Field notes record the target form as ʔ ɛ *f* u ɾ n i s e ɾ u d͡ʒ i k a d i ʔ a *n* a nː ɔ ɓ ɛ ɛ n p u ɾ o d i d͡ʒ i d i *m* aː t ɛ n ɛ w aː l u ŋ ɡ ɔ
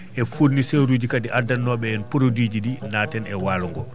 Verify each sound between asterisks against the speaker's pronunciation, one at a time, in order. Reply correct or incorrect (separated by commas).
correct, incorrect, incorrect